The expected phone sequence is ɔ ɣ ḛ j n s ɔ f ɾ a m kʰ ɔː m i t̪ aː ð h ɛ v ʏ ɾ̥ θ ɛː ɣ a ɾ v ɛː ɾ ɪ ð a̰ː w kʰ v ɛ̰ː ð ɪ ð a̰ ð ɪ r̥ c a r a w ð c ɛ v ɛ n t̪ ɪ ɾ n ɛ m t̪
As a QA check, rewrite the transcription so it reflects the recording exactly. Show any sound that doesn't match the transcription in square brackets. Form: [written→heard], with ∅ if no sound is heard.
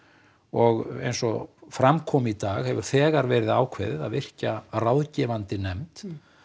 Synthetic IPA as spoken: ɔ ɣ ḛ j n s ɔ f ɾ a m kʰ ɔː m i t̪ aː [ð→ɣ] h ɛ v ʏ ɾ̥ θ ɛː ɣ a ɾ v ɛː ɾ ɪ ð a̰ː w kʰ v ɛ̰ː ð ɪ ð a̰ ð ɪ r̥ c a r a w ð c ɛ v [ɛ→a] n t̪ ɪ [ɾ→∅] n ɛ m t̪